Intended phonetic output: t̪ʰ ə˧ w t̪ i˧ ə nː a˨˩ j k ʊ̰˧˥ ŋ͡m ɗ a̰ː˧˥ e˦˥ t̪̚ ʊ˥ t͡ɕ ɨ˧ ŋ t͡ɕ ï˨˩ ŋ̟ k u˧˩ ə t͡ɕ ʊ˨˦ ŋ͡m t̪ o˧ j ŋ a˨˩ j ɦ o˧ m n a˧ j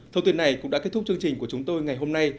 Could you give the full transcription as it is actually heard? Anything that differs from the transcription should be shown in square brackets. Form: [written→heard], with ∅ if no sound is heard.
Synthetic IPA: t̪ʰ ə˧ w t̪ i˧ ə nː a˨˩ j k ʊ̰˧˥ ŋ͡m ɗ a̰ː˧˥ e˦˥ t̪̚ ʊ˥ t͡ɕ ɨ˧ ŋ t͡ɕ ï˨˩ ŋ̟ k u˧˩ ə t͡ɕ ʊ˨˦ ŋ͡m t̪ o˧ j ŋ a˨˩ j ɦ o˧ m n a˧ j